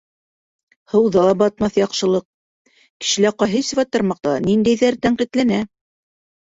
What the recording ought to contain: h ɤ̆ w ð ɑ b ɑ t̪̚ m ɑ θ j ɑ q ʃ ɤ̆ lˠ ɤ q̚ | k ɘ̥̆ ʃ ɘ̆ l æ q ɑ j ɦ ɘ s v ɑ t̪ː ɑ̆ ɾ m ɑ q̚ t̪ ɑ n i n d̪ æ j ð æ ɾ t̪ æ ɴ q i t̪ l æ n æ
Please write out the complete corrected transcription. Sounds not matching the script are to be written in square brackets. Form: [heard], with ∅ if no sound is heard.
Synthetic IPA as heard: h ɤ̆ w ð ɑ b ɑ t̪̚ m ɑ θ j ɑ q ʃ ɤ̆ lˠ ɤ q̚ | k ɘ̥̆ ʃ ɘ̆ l æ q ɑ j ɦ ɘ s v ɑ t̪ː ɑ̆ ɾ m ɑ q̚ t̪ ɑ n i n d̪ æ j ð æ ɾ t̪ æ ɴ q i t̪ l æ n æ